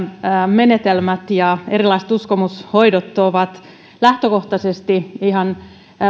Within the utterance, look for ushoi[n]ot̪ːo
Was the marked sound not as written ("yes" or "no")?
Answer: yes